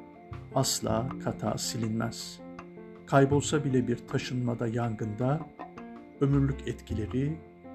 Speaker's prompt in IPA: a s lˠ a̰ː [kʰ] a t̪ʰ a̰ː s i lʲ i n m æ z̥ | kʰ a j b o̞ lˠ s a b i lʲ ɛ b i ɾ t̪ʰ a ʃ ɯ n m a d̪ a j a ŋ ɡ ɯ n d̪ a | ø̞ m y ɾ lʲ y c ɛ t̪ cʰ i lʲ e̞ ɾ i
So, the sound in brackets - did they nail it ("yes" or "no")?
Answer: yes